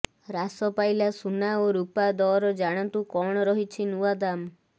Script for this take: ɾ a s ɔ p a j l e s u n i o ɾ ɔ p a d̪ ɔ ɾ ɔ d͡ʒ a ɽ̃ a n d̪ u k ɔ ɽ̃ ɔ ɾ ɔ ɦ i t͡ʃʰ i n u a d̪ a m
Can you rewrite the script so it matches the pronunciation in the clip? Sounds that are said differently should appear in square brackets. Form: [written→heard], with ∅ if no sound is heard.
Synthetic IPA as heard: ɾ a s ɔ p a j l [e→a] s u n [i→a] o ɾ [ɔ→u] p a d̪ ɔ ɾ ɔ d͡ʒ a ɽ̃ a n [d̪→t̪] u k ɔ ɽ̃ ɔ ɾ ɔ ɦ i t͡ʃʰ i n u a d̪ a m